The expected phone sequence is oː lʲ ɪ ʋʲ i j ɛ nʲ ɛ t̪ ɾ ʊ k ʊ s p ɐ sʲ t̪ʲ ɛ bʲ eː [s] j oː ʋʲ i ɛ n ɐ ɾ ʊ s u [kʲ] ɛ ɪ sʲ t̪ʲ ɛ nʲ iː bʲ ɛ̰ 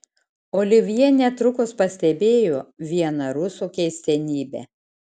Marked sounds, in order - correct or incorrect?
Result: incorrect: none, correct

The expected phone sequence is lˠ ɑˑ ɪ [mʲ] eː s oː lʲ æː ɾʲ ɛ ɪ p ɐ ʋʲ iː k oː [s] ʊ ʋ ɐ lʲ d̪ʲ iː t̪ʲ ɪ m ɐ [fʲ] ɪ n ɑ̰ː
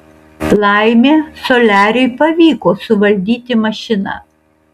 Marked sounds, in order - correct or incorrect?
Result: correct, correct, incorrect: ʃʲ

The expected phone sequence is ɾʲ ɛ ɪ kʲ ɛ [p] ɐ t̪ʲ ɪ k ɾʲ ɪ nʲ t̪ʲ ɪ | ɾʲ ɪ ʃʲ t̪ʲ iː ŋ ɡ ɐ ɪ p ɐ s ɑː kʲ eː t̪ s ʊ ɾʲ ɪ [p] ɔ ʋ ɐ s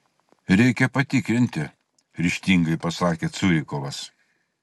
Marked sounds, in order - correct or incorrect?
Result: correct, incorrect: k

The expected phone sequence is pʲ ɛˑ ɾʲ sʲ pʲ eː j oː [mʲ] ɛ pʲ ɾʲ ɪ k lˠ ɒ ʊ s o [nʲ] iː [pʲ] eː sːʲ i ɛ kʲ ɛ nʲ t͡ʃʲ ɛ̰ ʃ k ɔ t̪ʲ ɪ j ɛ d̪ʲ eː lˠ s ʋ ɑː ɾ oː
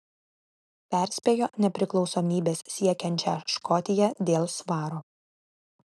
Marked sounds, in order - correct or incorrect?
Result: incorrect: nʲ, incorrect: mʲ, incorrect: bʲ

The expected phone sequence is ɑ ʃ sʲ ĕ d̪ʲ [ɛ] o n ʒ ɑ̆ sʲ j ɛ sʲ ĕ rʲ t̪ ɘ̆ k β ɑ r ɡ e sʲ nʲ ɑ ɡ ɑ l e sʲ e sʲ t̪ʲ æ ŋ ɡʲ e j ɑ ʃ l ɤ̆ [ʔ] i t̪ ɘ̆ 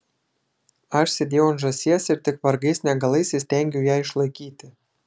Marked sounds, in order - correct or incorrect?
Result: incorrect: e, incorrect: k

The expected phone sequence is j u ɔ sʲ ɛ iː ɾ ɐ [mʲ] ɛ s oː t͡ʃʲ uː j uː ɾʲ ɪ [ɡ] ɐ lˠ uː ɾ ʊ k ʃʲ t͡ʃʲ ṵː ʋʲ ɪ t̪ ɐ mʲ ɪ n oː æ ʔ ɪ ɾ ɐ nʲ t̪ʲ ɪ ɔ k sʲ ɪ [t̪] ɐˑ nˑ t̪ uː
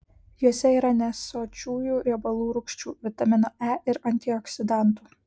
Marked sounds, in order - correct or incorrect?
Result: incorrect: nʲ, incorrect: b, incorrect: d̪

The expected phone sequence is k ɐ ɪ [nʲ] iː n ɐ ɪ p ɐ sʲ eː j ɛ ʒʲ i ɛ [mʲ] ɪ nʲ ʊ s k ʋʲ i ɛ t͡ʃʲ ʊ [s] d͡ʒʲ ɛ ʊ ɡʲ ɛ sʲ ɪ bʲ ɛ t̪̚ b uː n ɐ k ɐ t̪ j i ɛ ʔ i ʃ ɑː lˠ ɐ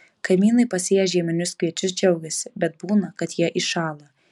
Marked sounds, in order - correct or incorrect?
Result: incorrect: mʲ, correct, correct

